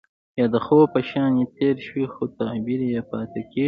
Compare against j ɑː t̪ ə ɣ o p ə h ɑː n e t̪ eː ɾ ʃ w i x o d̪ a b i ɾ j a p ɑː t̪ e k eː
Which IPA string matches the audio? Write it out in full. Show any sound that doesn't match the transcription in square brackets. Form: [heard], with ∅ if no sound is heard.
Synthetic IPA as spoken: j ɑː [d̪] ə [x] o p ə [ʃ] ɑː n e t̪ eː ɾ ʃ w i x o [t̪] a b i ɾ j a p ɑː t̪ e k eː